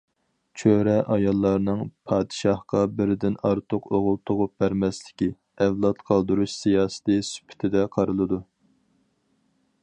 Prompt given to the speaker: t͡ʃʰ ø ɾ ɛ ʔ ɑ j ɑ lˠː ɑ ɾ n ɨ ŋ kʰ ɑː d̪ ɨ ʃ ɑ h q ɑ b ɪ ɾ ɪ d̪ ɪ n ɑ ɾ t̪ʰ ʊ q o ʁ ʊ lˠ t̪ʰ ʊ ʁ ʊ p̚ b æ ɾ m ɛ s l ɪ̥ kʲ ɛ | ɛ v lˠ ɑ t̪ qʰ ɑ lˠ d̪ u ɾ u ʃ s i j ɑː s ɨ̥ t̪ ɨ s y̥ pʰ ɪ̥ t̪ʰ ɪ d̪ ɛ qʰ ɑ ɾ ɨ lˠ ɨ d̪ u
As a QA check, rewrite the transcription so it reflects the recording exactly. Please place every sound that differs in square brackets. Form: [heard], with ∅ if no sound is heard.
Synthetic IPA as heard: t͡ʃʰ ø ɾ ɛ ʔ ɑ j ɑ lˠː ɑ ɾ n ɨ ŋ [pʰ] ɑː d̪ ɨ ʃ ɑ h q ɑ b ɪ ɾ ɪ d̪ ɪ n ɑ ɾ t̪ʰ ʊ q o ʁ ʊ lˠ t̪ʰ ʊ ʁ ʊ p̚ b æ ɾ m ɛ s l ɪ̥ kʲ [i] | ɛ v lˠ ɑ t̪ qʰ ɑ lˠ d̪ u ɾ u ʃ s i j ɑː s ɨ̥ t̪ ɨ s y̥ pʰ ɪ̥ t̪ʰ ɪ d̪ ɛ qʰ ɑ ɾ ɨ lˠ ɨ d̪ u